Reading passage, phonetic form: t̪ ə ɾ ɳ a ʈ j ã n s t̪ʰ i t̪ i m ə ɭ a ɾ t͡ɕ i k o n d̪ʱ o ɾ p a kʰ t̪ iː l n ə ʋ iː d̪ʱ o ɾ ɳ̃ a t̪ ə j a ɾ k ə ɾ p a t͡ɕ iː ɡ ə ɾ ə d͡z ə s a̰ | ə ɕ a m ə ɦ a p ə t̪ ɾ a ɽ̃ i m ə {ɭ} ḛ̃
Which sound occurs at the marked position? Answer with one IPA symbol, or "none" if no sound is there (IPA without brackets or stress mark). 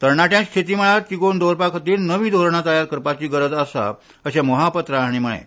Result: ɭ